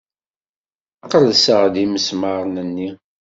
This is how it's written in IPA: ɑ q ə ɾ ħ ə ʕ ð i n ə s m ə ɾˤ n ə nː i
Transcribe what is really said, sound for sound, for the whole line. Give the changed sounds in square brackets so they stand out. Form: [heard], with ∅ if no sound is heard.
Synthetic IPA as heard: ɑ q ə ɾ [s] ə [ʁ] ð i [m] ə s m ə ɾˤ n ə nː i